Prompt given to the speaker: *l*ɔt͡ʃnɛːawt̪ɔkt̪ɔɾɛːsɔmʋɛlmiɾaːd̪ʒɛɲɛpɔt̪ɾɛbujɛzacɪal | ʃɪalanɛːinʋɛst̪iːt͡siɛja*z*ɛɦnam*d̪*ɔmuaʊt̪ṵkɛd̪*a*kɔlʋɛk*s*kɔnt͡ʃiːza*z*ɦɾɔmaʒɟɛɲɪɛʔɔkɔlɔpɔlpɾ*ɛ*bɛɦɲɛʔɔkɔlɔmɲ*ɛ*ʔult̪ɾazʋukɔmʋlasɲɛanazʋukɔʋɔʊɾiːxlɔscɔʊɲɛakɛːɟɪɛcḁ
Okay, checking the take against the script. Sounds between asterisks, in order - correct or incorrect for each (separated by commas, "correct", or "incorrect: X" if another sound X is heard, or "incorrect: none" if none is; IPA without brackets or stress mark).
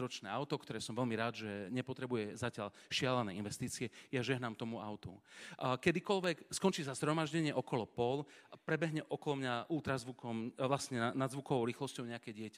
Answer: incorrect: ɾ, incorrect: ʒ, incorrect: t̪, incorrect: i, correct, correct, correct, incorrect: a